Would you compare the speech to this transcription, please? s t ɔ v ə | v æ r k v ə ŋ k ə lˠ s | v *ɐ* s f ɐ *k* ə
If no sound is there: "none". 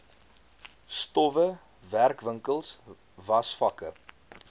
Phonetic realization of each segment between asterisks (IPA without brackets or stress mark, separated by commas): ɐ, k